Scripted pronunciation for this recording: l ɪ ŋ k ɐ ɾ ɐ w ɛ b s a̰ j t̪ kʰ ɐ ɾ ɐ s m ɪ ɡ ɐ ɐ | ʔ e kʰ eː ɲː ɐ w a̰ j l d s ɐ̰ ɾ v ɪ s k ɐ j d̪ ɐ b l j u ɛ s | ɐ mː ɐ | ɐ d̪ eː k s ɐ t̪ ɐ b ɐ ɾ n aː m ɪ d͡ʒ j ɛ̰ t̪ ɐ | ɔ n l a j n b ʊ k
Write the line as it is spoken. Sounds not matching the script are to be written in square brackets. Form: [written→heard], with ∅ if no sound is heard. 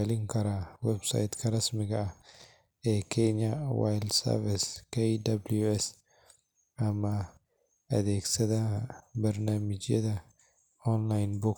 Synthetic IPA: l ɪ ŋ k ɐ ɾ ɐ w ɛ b s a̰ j t̪ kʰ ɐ ɾ ɐ s m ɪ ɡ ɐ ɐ | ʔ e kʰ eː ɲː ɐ w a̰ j l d s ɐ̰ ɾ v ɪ s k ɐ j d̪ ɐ b l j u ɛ s | ɐ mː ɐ | ɐ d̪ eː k s ɐ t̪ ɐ b ɐ ɾ n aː m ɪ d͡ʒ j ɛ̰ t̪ ɐ | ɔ n l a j n b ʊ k